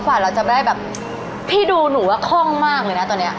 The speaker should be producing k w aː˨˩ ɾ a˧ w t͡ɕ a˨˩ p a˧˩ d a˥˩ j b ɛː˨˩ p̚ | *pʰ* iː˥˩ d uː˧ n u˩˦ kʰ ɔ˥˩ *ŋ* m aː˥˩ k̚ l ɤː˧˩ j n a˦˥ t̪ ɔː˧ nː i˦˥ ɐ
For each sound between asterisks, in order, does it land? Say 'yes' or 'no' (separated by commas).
yes, yes